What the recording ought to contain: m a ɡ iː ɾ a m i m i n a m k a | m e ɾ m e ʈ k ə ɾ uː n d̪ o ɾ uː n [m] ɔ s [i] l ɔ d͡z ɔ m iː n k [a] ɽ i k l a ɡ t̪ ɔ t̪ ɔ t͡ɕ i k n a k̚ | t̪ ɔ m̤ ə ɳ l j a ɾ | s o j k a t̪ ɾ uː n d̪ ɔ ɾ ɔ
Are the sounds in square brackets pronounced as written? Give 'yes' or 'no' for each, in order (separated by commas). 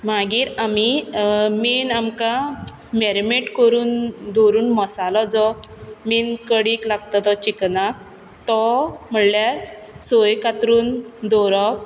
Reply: yes, no, no